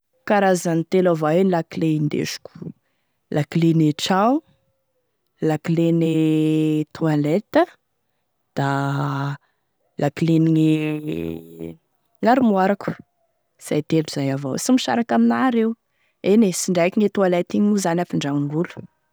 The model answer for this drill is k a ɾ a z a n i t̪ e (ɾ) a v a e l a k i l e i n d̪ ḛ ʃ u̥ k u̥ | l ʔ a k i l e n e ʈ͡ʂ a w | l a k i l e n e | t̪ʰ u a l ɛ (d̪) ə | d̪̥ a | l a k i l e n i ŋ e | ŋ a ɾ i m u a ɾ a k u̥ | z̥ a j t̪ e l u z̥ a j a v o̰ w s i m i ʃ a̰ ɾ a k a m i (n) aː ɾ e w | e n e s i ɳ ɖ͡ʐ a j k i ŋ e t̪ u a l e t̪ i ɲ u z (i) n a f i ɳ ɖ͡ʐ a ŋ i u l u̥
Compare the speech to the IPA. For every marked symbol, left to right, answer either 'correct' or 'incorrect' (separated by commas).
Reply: incorrect, incorrect, correct, incorrect